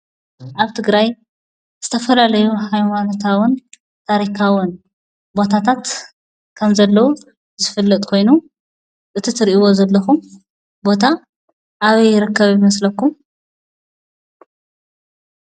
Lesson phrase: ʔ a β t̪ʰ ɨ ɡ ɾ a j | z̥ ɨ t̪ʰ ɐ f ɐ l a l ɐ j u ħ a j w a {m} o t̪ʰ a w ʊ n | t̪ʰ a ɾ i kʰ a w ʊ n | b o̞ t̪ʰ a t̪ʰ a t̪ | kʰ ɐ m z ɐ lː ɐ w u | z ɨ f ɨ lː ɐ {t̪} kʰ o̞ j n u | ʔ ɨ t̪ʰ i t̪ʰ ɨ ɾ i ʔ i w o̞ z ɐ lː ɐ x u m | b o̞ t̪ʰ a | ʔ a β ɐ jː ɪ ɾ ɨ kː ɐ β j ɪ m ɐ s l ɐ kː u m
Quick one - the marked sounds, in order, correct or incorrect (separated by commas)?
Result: incorrect, incorrect